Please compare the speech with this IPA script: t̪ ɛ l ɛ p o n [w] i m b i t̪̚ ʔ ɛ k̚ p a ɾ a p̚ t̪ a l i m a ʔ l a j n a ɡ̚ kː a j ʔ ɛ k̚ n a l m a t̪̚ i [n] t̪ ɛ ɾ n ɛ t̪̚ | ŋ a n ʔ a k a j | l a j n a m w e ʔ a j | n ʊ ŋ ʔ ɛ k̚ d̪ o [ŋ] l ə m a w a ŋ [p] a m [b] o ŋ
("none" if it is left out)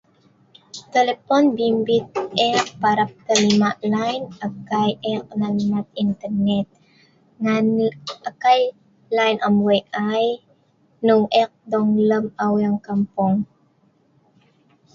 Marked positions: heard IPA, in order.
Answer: b, n, ŋ, k, p

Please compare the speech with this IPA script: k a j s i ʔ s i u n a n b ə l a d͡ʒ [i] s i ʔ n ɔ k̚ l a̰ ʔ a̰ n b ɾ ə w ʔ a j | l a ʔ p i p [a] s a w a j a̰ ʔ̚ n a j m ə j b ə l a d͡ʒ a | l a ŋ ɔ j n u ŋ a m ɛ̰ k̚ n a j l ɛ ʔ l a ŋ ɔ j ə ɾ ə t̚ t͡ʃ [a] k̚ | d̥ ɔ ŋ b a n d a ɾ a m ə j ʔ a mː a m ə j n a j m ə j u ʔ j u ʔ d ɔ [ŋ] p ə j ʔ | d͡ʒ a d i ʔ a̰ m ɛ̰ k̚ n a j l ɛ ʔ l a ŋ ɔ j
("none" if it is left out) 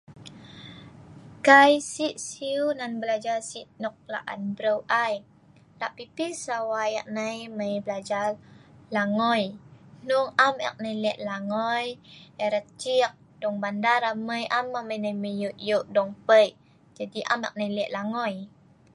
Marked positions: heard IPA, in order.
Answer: a, i, i, ŋ

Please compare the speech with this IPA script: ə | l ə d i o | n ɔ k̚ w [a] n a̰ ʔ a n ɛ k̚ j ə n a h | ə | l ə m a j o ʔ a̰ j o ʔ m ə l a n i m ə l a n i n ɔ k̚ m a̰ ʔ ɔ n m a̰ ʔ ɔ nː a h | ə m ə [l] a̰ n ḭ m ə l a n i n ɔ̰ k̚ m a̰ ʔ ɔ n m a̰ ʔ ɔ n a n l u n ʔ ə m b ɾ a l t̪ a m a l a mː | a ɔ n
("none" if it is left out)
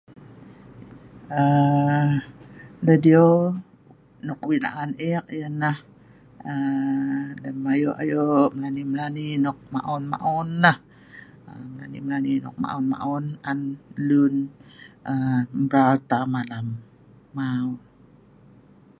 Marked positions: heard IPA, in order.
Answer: i, l

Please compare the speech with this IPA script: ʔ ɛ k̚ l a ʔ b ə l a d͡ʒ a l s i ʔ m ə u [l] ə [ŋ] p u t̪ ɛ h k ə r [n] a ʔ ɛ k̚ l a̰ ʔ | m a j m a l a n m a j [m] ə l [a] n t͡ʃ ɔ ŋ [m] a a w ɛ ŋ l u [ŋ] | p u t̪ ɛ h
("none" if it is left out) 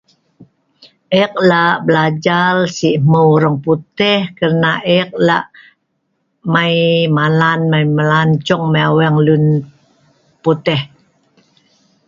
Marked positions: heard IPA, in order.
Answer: ɾ, ŋ, n, m, a, m, n

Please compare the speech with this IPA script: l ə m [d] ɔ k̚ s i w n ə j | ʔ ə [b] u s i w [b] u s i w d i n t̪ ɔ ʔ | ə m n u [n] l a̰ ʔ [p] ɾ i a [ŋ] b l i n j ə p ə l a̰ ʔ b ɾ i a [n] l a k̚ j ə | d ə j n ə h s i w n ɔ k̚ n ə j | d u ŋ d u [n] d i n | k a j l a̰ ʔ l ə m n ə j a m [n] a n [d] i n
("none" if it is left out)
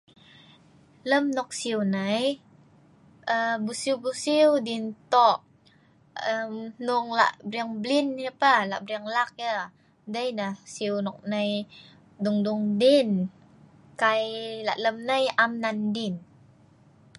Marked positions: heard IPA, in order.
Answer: n, b, b, ŋ, b, ŋ, ŋ, ŋ, n, d

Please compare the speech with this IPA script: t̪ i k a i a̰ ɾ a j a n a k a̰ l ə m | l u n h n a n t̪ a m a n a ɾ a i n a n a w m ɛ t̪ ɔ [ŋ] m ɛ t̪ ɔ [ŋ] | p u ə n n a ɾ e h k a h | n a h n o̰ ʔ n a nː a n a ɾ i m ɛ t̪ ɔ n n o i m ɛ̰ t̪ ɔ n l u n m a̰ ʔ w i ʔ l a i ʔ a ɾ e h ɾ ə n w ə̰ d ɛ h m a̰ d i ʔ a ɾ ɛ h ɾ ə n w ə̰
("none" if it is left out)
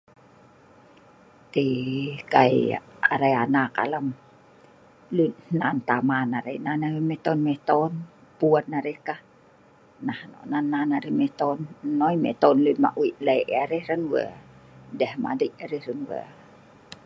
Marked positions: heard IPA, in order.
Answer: n, n

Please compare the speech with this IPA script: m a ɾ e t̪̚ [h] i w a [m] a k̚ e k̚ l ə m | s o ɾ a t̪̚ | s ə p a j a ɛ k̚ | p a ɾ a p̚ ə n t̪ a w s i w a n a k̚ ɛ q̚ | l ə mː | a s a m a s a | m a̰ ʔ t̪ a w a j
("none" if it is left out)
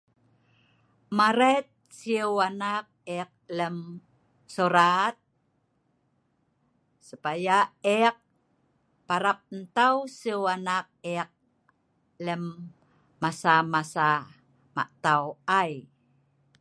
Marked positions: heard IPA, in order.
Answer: s, n

